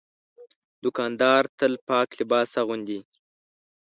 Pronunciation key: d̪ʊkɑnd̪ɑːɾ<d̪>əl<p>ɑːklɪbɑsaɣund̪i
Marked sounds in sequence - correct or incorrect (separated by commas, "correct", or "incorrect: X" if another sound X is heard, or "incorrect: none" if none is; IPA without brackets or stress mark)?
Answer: incorrect: t̪, correct